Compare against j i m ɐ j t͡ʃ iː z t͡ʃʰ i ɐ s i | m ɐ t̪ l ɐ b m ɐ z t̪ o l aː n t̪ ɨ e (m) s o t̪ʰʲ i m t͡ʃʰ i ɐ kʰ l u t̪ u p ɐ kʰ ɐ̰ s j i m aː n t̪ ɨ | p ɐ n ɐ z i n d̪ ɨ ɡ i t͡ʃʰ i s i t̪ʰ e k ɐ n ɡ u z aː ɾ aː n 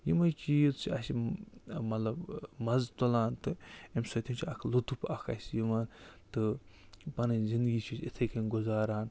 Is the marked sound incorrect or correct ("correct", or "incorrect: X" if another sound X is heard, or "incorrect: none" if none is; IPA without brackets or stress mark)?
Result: correct